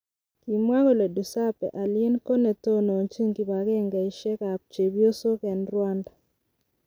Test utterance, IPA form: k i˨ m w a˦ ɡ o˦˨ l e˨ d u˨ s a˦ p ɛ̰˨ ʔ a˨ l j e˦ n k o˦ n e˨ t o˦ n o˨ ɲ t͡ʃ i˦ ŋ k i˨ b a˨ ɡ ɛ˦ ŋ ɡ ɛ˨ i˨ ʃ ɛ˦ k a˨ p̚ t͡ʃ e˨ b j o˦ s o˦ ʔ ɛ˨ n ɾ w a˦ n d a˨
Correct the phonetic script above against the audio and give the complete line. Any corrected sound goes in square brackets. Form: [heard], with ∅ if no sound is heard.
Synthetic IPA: k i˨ m w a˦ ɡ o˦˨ l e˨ d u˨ s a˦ p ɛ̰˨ ʔ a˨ l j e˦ n k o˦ n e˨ t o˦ n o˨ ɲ t͡ʃ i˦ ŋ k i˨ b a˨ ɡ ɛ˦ ŋ ɡ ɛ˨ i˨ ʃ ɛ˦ k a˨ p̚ t͡ʃ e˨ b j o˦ s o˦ [k] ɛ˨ n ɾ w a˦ n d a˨